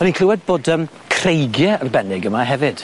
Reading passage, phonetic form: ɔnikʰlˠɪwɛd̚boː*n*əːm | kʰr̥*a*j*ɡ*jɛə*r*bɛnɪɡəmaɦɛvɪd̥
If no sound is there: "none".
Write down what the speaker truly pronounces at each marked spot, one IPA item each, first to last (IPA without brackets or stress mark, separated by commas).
d, e, ɡ, r